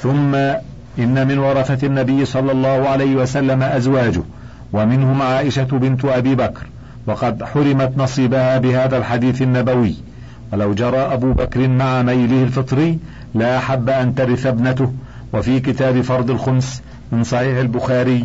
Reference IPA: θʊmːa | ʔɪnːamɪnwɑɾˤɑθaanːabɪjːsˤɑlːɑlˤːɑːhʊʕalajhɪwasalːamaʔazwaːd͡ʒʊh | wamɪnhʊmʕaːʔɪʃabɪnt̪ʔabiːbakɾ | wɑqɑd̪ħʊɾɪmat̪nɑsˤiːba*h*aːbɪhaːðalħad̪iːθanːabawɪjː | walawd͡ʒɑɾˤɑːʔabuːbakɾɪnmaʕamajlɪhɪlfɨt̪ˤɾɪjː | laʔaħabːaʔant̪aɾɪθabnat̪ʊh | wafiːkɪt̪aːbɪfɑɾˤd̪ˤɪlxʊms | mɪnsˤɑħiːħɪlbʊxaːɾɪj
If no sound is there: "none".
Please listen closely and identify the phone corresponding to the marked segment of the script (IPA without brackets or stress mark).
h